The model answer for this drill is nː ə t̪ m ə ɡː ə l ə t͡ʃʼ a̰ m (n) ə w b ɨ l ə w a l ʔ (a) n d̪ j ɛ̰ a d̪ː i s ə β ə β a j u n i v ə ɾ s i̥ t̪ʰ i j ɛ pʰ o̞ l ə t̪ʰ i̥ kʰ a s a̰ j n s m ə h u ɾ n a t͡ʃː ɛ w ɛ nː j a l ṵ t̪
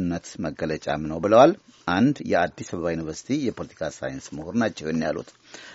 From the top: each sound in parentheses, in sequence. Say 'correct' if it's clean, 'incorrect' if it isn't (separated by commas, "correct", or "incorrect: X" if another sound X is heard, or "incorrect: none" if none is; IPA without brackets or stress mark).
correct, correct